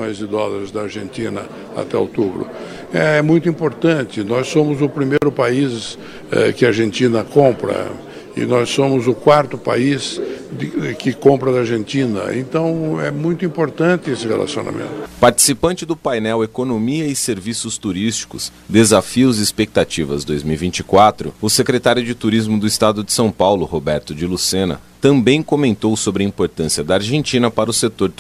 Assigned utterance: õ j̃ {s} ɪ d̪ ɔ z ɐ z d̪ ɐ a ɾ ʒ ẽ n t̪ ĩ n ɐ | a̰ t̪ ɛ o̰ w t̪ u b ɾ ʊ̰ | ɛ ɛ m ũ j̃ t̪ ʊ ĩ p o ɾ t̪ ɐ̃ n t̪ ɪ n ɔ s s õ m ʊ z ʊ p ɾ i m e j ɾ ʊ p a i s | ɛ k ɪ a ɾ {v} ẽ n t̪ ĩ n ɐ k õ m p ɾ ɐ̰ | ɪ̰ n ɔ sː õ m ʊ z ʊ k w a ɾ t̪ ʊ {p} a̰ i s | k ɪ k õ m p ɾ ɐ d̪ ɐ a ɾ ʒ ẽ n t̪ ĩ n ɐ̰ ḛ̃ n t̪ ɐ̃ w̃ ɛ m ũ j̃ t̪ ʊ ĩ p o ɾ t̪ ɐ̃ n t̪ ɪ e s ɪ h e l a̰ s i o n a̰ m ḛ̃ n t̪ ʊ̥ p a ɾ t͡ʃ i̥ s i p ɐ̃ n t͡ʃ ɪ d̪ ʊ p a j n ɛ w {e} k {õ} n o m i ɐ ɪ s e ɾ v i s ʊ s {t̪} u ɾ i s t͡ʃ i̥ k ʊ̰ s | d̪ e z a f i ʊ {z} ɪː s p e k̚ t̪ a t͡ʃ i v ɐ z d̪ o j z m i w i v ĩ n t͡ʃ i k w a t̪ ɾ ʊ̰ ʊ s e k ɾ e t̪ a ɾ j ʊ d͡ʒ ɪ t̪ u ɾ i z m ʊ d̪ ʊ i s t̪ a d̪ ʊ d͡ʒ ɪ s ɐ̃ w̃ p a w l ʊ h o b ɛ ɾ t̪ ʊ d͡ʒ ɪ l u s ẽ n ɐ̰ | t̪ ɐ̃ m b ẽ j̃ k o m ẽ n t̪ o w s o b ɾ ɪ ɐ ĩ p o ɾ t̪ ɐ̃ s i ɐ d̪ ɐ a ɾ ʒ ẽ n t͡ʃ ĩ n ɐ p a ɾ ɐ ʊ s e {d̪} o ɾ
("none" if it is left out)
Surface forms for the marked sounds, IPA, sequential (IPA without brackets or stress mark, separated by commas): z, ʒ, p, e, o, t̪, z, t̪